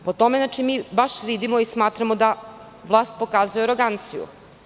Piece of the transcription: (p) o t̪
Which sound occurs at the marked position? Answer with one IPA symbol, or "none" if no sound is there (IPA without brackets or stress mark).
p